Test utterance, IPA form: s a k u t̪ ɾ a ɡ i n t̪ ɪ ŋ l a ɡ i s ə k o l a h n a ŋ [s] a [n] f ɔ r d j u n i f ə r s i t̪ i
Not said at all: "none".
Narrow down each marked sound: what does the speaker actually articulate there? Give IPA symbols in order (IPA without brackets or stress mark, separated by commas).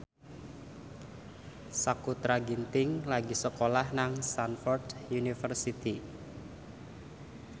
s, n